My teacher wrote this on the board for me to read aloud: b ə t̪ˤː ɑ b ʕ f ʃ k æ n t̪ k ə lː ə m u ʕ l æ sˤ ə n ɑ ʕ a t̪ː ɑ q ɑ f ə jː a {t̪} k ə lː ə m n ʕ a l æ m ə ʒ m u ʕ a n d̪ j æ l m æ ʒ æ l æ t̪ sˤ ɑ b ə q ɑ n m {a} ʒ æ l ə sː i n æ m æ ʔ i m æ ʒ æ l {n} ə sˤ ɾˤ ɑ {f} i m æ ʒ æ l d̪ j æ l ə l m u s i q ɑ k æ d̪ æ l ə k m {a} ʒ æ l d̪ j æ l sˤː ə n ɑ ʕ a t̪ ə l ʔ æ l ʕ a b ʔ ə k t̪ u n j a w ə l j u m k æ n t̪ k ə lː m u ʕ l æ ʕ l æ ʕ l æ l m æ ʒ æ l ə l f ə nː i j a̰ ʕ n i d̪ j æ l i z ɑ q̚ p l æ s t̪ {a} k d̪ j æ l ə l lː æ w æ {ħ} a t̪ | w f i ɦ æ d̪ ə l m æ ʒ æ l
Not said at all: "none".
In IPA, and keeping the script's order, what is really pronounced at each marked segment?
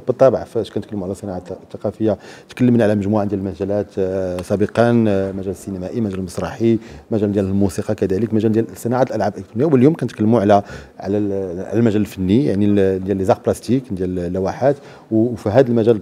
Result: t̪, æ, m, ħ, æ, i, ħ

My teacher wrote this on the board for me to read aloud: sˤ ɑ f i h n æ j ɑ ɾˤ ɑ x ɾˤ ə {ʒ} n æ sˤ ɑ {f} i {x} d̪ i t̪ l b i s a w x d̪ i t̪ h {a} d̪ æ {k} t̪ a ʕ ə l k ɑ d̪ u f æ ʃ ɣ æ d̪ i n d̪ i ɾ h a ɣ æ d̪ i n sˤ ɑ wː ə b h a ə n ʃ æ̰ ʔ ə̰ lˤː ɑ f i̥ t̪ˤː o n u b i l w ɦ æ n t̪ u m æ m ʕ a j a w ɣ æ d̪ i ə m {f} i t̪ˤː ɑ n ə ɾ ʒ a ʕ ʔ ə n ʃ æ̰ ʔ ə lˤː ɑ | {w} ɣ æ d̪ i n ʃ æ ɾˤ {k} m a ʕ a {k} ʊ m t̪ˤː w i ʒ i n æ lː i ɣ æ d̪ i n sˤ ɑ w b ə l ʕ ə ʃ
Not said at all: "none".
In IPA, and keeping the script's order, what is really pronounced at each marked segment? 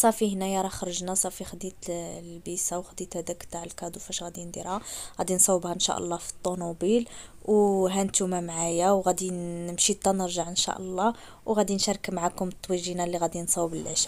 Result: ʒ, f, x, æ, k, ʃ, w, k, k

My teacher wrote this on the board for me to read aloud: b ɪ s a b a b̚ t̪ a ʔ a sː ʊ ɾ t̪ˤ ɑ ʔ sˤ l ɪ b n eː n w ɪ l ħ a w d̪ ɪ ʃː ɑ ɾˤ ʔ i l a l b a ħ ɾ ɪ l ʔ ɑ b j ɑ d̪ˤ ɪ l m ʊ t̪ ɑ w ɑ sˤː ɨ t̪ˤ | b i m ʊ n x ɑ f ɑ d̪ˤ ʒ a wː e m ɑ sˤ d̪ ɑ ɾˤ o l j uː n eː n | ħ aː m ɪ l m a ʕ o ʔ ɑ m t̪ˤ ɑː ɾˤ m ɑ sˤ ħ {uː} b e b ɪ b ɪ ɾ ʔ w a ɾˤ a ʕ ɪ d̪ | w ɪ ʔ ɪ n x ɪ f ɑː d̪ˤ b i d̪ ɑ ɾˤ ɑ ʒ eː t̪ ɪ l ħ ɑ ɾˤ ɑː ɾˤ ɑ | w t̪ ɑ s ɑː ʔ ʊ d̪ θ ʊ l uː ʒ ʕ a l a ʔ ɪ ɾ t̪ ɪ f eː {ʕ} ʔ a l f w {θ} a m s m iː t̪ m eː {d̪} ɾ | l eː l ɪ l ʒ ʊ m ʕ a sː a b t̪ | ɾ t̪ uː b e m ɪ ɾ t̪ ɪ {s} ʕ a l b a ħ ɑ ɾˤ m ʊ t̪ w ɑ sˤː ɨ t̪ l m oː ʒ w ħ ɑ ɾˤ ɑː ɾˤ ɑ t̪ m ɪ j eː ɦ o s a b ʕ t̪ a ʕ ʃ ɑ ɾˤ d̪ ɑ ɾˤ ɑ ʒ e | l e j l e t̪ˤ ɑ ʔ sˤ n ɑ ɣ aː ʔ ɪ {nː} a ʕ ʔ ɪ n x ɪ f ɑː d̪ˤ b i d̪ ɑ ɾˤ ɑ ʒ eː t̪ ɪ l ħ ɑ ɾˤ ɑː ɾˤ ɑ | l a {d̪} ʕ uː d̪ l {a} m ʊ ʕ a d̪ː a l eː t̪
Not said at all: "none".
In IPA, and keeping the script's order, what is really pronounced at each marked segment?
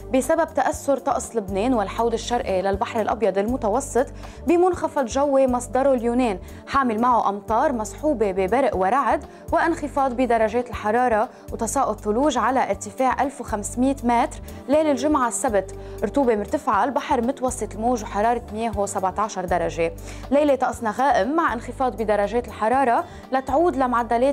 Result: uː, ʕ, x, t̪, f, mː, t̪, a

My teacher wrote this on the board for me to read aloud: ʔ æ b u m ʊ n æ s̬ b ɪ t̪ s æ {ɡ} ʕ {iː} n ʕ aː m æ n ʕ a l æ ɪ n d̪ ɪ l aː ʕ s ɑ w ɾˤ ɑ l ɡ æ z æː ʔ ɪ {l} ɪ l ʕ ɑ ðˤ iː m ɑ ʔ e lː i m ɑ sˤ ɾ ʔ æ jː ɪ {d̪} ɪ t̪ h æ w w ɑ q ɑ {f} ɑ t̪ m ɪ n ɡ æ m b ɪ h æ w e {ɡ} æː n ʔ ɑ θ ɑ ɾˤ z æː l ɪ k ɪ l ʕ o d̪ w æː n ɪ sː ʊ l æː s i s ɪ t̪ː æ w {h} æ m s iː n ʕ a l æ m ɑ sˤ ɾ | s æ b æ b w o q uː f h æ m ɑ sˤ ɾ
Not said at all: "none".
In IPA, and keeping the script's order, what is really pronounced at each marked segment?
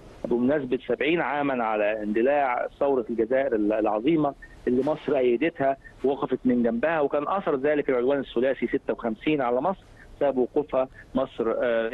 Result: b, iː, ɾ, d̪, f, k, x

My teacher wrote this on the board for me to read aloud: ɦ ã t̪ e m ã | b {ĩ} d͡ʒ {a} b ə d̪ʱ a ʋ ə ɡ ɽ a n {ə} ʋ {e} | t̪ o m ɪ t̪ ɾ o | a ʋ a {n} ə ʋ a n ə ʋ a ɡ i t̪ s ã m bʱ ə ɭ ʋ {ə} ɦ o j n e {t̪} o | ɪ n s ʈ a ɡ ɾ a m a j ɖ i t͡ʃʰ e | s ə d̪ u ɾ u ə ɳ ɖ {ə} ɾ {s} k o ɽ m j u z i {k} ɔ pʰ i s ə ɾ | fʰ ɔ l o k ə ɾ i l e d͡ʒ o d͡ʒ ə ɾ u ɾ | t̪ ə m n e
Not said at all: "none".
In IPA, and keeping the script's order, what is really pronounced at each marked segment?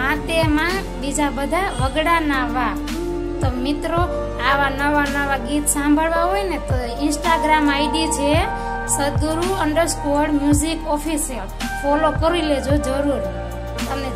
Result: i, a, a, a, n, a, t̪, ə, s, k

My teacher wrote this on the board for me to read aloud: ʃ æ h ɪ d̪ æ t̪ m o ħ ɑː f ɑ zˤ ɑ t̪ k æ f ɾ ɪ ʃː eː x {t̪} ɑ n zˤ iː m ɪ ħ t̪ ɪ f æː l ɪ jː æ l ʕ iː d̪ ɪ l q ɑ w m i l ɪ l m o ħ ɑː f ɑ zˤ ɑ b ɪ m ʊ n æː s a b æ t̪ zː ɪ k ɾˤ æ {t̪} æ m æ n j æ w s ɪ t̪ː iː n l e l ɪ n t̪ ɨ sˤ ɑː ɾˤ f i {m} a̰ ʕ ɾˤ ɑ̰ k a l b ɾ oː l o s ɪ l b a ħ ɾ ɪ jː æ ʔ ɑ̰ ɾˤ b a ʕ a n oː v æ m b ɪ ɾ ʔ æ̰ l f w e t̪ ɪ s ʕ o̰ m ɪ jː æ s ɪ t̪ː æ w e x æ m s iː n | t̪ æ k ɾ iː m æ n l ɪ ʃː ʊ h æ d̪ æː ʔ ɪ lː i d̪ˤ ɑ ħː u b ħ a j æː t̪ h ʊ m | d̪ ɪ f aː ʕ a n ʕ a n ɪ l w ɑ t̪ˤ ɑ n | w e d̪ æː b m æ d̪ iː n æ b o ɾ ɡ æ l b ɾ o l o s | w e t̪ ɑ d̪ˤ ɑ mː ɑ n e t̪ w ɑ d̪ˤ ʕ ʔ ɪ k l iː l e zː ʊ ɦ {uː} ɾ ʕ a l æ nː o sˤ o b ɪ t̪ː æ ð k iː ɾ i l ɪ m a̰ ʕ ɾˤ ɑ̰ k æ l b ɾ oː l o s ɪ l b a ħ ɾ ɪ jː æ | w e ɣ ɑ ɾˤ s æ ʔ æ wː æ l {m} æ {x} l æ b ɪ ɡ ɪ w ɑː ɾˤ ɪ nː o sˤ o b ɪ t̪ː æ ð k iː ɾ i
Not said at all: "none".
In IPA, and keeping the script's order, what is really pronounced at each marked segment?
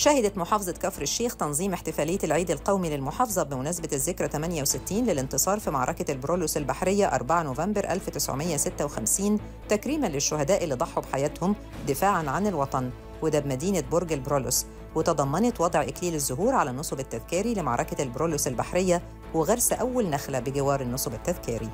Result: t̪, t̪, m, uː, n, x

